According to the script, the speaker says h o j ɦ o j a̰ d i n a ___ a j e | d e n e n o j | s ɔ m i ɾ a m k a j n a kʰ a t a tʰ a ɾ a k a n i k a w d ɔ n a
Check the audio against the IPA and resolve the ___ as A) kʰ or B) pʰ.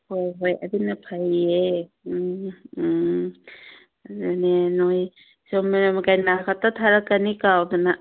B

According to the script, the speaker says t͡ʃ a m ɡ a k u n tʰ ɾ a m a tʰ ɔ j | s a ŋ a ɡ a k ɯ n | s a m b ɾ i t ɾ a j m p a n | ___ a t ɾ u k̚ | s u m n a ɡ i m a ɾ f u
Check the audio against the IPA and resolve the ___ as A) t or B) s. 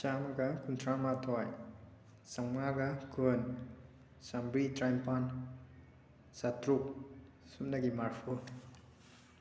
B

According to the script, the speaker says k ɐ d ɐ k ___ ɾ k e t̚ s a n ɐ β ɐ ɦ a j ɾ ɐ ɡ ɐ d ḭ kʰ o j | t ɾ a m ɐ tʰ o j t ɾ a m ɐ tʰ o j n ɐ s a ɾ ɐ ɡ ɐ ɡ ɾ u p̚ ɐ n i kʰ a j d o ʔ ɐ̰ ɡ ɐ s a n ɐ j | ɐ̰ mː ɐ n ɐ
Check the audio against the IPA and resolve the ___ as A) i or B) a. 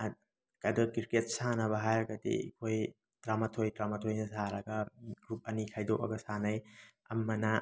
A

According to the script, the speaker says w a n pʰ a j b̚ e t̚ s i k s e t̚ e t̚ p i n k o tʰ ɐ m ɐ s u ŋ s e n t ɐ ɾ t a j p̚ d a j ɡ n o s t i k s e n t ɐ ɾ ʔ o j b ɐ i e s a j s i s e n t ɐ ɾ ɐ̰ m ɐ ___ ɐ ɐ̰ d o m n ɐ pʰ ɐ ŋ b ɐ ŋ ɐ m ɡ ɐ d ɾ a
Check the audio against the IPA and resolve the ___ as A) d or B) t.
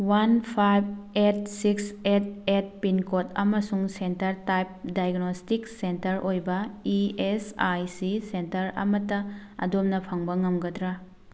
B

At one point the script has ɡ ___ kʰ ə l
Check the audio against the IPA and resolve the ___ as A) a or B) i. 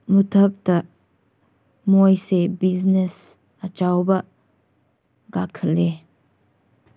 A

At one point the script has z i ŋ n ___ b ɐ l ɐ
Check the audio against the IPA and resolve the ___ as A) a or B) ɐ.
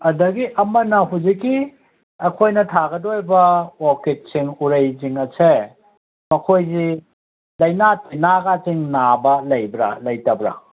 A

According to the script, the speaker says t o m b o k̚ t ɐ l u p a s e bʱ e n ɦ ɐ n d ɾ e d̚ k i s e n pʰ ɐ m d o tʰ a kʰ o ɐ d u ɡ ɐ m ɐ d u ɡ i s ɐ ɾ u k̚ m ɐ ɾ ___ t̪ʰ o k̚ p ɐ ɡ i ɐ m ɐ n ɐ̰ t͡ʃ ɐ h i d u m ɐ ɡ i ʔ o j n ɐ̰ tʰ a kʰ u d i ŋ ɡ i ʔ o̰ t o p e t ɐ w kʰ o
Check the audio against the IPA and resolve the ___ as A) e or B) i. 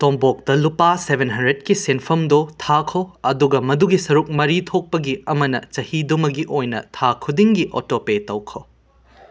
B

